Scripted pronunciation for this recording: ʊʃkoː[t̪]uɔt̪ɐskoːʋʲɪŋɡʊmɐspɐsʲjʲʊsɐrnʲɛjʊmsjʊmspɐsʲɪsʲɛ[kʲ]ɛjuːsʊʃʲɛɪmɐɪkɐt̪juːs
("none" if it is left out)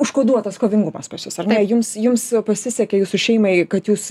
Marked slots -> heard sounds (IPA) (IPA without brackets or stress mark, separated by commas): d̪, kʲ